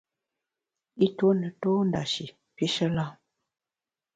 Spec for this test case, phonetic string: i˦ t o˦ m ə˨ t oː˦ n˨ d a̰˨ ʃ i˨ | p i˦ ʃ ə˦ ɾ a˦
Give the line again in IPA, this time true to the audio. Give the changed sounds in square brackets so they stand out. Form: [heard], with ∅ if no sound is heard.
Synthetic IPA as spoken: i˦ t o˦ [n] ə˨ t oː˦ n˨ d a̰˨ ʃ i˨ | p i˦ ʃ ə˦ [l] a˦

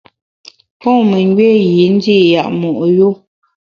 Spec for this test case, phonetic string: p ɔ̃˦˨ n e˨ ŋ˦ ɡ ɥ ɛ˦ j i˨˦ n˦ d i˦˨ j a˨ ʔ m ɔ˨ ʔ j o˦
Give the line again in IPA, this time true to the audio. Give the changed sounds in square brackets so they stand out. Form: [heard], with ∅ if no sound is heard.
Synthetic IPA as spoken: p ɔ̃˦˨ [m] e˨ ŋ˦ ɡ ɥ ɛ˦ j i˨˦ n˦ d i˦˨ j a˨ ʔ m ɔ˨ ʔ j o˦

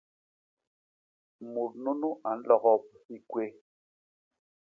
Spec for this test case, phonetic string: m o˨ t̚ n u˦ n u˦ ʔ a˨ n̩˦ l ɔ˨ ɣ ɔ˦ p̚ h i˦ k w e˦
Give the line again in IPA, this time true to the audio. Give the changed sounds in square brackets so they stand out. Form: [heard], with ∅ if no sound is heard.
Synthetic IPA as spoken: m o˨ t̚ n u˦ n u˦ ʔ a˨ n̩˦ l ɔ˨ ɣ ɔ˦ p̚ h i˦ k w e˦

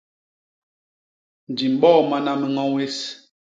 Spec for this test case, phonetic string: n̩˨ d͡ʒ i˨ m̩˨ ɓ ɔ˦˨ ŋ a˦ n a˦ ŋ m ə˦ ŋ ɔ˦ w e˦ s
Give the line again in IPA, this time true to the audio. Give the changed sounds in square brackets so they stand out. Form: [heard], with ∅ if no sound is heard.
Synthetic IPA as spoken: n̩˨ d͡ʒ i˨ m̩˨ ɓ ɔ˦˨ [m] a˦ n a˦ [∅] m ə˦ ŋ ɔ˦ w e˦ s

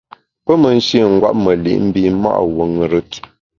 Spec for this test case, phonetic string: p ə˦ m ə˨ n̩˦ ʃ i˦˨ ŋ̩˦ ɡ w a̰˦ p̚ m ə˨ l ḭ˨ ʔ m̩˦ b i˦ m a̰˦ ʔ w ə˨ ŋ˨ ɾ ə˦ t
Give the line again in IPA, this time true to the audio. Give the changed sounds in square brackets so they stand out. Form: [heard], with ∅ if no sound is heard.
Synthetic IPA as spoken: p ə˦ m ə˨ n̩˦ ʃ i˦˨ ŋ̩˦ ɡ w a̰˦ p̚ m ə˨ l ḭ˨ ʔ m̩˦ b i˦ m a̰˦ ʔ w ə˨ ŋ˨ ɾ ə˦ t

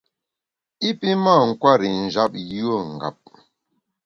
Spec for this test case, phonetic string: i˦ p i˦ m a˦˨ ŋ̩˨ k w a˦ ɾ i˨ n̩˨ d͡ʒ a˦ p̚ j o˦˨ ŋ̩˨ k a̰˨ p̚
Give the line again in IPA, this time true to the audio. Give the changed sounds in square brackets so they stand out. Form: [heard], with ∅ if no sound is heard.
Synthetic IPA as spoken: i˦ p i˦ m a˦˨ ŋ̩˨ k w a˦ ɾ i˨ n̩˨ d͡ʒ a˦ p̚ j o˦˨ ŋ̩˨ [ɡ] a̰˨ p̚

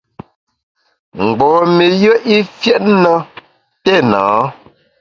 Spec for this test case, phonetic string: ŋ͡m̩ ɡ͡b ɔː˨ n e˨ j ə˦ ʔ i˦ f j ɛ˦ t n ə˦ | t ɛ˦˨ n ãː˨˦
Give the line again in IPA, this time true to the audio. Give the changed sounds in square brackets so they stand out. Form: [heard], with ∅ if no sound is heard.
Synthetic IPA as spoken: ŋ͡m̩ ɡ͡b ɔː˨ [m] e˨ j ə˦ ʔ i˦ f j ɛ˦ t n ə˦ | t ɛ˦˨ n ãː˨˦

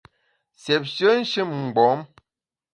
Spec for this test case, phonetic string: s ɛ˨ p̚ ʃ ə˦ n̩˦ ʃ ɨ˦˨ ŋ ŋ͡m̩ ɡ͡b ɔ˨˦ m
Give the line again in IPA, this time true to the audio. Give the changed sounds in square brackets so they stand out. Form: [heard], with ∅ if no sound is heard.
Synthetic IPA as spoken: s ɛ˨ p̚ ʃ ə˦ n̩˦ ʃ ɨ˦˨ [m] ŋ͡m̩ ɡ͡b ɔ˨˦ m

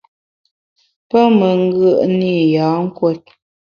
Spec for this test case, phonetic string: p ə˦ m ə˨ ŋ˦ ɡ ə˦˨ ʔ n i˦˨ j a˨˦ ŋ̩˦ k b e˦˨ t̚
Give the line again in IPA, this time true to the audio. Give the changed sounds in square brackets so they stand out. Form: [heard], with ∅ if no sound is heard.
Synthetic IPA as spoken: p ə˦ m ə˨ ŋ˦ ɡ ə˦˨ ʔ n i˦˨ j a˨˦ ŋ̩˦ k [w] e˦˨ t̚

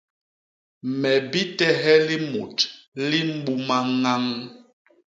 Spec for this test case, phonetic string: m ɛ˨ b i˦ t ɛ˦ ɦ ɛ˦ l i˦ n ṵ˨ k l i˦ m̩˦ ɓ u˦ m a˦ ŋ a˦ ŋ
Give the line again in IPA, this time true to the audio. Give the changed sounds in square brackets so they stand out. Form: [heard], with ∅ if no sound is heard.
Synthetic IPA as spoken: m ɛ˨ b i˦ t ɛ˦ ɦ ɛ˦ l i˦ [m] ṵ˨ [t] l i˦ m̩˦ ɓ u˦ m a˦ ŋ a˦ ŋ

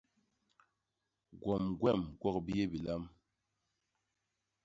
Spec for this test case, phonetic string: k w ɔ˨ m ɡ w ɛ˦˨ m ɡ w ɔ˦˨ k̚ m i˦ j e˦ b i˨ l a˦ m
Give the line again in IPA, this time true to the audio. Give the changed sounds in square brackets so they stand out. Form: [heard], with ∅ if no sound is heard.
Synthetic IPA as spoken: [ɡ] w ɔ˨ m ɡ w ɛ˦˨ m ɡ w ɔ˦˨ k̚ [b] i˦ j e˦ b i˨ l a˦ m

